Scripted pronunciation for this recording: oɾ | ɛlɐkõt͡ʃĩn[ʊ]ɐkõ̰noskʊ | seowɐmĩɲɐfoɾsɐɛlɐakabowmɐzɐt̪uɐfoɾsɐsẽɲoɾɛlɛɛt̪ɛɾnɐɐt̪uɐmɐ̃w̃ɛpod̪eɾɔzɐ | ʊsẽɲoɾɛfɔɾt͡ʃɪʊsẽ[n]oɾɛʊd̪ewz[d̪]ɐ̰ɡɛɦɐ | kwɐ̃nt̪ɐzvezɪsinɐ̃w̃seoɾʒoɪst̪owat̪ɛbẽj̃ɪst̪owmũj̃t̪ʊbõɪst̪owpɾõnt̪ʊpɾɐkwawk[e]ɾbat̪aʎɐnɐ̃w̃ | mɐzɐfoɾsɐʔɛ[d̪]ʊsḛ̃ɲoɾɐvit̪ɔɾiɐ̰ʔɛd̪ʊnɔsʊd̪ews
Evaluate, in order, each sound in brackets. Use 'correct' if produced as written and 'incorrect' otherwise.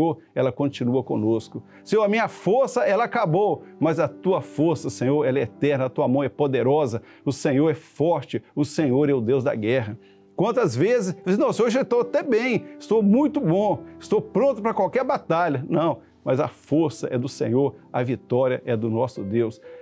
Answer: incorrect: u, incorrect: ɲ, correct, incorrect: ɛ, correct

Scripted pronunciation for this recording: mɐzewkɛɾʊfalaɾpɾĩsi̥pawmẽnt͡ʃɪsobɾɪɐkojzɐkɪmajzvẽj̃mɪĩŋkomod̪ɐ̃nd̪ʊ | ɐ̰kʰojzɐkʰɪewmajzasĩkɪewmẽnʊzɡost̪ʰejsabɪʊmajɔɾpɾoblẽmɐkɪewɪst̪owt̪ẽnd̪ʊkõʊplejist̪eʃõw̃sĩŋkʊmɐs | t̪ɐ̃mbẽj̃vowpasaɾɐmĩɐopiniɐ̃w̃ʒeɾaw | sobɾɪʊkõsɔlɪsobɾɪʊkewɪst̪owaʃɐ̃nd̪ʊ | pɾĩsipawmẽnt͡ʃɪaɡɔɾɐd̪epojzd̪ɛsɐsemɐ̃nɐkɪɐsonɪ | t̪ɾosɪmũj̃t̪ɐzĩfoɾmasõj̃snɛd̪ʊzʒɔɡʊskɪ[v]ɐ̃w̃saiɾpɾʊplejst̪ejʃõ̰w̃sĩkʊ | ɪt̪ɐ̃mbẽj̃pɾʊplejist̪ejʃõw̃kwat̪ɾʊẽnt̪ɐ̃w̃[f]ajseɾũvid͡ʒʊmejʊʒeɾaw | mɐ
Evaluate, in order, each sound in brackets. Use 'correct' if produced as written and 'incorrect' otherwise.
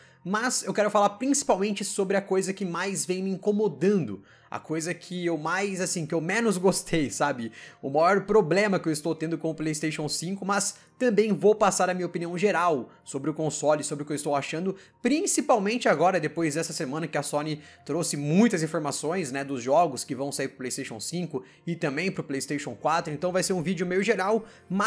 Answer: correct, incorrect: v

